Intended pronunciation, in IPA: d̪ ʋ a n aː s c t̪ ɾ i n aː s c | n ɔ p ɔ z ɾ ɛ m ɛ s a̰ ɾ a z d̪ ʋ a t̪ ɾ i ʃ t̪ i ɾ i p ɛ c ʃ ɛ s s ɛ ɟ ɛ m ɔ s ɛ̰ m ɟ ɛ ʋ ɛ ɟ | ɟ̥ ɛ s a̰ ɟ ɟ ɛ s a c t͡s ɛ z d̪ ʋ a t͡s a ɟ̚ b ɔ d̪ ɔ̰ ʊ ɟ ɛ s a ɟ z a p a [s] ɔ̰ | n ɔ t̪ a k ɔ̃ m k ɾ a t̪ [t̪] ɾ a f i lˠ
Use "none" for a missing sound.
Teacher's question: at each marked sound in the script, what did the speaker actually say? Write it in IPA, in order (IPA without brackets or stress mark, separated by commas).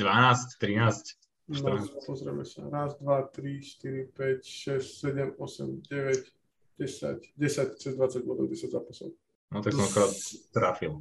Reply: s, t̪